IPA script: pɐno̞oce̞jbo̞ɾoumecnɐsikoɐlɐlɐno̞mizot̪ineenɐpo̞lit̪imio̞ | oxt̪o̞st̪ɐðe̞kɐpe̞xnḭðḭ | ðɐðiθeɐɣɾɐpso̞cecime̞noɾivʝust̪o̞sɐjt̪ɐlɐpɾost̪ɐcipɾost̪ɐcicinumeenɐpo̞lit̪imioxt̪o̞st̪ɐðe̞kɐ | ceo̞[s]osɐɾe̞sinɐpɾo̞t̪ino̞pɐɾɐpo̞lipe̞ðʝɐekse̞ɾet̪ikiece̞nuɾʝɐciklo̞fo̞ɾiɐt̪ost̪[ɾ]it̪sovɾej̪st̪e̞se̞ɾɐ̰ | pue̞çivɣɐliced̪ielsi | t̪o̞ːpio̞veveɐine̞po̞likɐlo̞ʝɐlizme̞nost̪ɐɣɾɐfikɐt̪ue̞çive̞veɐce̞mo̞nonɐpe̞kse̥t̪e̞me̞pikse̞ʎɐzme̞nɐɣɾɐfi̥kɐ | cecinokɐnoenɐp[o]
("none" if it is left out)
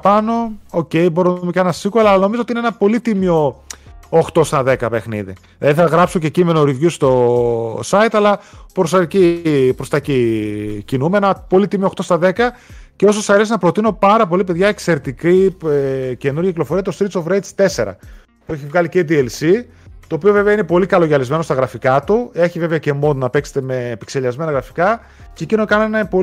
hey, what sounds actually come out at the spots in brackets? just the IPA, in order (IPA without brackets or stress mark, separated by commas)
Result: s, ɾ, o